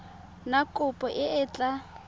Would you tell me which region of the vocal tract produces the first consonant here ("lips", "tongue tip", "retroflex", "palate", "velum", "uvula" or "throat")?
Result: tongue tip